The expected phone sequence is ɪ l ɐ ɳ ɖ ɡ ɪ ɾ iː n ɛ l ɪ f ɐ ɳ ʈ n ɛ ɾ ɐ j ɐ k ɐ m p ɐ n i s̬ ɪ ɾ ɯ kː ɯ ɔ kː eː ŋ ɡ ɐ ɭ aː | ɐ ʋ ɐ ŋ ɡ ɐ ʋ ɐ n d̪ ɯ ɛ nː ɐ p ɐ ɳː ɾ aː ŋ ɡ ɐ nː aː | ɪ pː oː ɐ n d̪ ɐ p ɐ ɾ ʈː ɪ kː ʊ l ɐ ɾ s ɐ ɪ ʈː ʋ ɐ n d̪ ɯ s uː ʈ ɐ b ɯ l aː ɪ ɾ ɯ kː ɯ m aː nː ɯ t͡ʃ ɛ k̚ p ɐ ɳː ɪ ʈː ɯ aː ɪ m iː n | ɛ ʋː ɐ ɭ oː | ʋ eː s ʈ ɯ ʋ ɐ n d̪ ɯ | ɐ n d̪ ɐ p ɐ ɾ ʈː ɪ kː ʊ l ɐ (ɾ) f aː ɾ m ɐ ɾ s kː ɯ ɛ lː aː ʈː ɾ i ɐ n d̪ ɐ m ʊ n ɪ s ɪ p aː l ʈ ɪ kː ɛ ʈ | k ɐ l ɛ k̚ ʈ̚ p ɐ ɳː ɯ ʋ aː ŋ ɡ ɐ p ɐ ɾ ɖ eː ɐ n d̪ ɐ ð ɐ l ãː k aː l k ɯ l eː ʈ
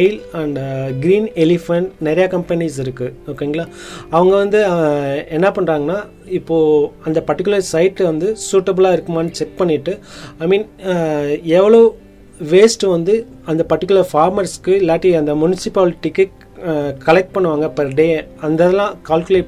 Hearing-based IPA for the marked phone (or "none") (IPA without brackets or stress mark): ɾ